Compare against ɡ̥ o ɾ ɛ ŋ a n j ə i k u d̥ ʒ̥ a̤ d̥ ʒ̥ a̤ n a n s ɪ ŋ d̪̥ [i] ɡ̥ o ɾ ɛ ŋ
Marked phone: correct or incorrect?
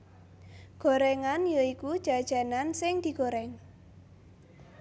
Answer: correct